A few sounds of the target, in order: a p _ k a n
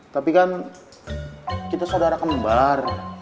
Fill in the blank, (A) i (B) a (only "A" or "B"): A